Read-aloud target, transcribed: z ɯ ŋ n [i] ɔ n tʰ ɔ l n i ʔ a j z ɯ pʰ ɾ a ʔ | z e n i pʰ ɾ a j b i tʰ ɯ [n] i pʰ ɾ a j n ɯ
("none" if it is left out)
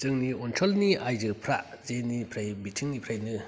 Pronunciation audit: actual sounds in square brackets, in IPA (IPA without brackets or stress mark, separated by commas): i, ŋ